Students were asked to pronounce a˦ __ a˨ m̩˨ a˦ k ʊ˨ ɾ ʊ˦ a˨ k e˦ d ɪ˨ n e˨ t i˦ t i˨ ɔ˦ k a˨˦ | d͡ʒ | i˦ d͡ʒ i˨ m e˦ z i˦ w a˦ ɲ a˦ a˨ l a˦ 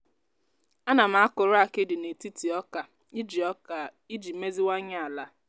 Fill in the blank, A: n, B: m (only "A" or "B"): A